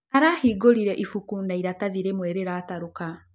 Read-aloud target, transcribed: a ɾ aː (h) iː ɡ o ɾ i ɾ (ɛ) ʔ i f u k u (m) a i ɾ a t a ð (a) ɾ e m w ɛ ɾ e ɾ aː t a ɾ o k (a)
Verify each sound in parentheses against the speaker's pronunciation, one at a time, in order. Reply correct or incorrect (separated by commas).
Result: correct, correct, incorrect, incorrect, correct